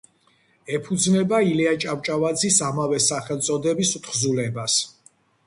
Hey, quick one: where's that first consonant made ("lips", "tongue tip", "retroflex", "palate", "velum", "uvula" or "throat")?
lips